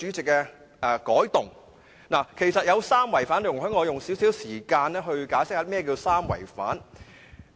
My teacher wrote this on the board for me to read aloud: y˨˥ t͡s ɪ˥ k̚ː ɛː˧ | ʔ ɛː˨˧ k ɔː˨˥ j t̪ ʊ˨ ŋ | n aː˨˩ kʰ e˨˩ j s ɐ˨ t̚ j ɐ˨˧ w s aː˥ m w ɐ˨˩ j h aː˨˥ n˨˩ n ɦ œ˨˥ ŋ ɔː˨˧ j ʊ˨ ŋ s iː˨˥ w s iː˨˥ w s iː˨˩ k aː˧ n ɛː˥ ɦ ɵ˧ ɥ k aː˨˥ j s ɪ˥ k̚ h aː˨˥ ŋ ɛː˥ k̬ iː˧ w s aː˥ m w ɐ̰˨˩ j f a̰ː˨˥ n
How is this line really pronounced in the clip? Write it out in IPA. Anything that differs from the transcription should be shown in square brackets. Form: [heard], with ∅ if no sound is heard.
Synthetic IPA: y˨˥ t͡s [ɪ˨] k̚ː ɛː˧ | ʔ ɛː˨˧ k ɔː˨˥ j t̪ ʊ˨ ŋ | n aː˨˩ kʰ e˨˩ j s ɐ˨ t̚ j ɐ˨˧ w s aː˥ m w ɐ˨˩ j [f] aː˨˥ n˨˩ [ŋ] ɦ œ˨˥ ŋ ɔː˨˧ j ʊ˨ ŋ s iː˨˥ w s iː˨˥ w s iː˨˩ k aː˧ n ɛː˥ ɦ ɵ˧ ɥ k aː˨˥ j s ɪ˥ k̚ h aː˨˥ [m] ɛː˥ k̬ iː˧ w s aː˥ m w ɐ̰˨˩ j f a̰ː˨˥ n